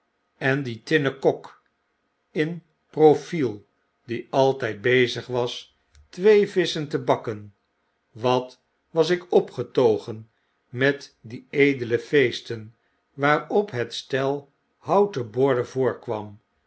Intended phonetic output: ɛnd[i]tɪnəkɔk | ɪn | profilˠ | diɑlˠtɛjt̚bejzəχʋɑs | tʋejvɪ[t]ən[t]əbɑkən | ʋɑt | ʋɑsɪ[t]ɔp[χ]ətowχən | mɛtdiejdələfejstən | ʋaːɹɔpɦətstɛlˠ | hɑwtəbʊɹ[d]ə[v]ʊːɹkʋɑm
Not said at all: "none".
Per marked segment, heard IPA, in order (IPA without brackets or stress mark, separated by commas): i, s, t, k, χ, d, v